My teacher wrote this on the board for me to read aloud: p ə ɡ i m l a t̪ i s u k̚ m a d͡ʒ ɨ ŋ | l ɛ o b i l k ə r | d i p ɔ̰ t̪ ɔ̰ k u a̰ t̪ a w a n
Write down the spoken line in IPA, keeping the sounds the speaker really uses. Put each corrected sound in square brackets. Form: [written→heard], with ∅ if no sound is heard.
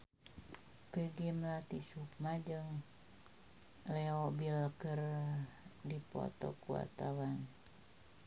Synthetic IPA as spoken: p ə ɡ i m l a t̪ i s u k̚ m a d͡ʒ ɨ ŋ | l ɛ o b i l k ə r | d i p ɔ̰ t̪ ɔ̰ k u a̰ t̪ a w a n